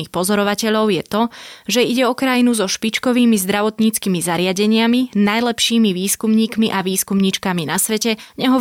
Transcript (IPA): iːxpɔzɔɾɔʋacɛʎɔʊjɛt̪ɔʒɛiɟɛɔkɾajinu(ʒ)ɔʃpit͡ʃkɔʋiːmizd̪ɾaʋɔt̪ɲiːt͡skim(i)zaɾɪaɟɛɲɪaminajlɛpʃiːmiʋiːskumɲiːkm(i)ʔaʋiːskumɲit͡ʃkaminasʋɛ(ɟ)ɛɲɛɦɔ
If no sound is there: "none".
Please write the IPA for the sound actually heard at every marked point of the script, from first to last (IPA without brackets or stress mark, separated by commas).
z, i, i, c